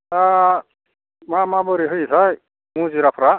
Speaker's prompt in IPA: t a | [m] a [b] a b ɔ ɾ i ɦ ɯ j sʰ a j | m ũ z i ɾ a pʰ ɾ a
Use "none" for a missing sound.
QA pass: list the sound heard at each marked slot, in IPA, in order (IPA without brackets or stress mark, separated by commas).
m, m